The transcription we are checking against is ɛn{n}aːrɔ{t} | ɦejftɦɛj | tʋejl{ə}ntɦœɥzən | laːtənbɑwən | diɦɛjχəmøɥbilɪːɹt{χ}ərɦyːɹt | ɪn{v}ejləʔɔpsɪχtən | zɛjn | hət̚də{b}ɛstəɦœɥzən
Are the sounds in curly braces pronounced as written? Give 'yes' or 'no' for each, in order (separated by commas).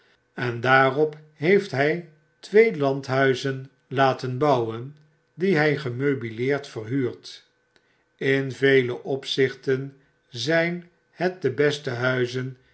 no, no, no, no, yes, yes